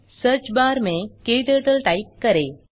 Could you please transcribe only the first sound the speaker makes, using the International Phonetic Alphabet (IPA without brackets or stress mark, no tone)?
s